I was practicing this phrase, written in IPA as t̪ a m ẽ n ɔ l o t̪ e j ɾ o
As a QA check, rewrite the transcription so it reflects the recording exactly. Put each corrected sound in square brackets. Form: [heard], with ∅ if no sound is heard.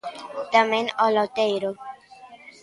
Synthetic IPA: t̪ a m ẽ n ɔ l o t̪ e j ɾ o